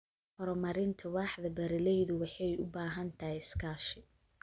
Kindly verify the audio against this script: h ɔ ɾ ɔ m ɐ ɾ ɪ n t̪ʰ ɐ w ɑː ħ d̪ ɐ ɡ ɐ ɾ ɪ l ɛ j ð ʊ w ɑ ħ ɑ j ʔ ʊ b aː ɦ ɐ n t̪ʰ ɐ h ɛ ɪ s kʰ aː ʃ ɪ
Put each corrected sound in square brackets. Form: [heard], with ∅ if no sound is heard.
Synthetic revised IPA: h ɔ ɾ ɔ m ɐ ɾ ɪ n t̪ʰ ɐ w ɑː ħ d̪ ɐ [b] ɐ ɾ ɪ l ɛ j ð ʊ w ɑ ħ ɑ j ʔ ʊ b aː ɦ ɐ n t̪ʰ ɐ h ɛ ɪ s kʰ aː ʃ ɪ